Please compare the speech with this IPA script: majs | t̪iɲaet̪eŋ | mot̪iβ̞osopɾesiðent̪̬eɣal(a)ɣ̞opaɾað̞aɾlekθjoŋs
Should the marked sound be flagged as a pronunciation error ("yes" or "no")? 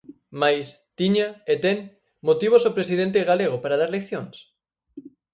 yes